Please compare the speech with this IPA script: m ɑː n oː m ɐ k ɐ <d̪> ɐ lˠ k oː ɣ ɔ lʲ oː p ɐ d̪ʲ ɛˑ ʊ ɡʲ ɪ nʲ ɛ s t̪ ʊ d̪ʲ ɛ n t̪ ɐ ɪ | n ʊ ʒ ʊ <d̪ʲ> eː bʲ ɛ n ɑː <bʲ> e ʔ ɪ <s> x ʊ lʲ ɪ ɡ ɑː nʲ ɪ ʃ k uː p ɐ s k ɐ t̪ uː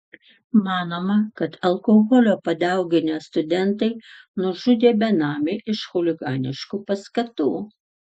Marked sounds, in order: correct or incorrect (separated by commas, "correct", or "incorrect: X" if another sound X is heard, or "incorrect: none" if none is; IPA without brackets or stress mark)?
incorrect: t̪, correct, incorrect: mʲ, incorrect: ʃ